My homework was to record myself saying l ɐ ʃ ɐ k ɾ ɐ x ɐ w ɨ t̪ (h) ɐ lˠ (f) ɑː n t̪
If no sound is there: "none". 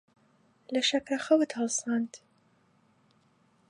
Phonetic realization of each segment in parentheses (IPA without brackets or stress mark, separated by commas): h, s